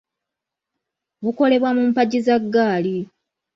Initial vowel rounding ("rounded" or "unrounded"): rounded